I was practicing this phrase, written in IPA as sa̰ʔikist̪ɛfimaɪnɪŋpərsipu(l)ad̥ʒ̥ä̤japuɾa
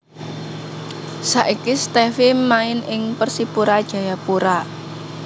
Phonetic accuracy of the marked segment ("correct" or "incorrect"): incorrect